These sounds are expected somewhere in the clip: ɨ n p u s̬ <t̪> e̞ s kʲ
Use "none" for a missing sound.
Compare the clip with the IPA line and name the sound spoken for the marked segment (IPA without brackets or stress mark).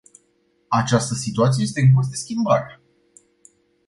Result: d̪